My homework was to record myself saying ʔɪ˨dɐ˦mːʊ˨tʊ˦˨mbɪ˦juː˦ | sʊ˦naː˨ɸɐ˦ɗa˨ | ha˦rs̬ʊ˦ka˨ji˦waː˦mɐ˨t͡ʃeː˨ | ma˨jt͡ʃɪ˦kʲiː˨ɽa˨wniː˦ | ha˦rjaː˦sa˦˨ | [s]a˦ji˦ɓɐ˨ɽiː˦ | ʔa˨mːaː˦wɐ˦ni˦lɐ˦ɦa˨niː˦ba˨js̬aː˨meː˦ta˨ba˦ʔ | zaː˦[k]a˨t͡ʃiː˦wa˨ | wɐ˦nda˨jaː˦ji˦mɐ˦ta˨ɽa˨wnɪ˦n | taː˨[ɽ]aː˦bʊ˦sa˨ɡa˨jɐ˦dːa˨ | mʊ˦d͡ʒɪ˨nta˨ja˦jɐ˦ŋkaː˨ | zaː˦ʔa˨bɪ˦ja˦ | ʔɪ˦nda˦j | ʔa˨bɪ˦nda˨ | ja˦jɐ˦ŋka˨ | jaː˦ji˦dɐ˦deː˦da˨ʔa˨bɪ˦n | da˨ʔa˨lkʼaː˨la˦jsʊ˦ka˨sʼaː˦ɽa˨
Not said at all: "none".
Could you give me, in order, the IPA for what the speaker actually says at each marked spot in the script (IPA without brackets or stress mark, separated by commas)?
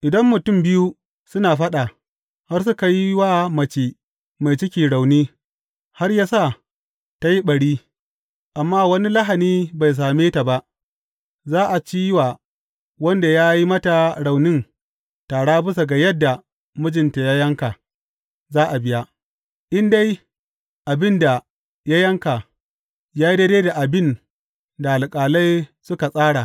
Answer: t, ʔ, ɽ